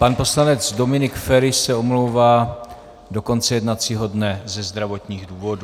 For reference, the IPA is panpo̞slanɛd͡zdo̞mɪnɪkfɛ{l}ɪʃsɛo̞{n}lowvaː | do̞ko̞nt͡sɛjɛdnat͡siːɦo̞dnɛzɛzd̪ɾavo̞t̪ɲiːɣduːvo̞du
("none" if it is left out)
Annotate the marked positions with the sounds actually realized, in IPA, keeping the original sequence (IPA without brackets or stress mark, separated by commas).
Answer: ɾ, m